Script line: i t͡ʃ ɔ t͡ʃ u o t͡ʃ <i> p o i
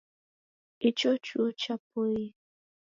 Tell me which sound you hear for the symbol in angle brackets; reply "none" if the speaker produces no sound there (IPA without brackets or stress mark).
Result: a